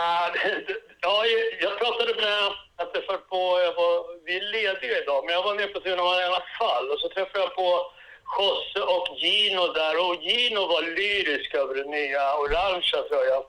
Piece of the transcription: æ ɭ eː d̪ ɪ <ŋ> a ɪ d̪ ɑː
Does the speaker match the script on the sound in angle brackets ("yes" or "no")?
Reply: no